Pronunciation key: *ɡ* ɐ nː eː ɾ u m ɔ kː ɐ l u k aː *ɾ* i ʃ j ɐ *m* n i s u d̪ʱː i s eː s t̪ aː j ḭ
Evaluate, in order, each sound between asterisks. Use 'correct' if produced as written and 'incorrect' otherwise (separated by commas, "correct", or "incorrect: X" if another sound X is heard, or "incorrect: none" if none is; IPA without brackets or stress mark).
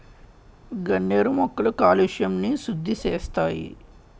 correct, incorrect: l, correct